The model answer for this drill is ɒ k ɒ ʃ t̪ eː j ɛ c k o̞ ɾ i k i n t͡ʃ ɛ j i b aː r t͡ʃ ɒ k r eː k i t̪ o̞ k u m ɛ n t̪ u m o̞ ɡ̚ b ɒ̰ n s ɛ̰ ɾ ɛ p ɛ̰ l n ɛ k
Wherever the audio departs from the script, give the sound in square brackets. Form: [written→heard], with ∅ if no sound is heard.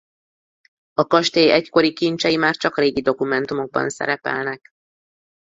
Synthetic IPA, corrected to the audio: ɒ k ɒ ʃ t̪ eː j ɛ c k o̞ ɾ i k i n t͡ʃ ɛ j i [b→m] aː r t͡ʃ ɒ k r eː [k→ɡ] i [t̪→d̪] o̞ k u m ɛ n t̪ u m o̞ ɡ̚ b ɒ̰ n s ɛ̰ ɾ ɛ p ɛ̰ l n ɛ k